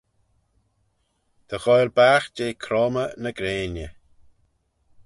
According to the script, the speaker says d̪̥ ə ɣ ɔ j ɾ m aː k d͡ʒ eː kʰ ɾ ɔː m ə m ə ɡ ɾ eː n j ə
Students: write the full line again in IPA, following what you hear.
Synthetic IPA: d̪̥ ə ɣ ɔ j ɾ b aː x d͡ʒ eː kʰ ɾ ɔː m ə n ə ɡ ɾ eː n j ə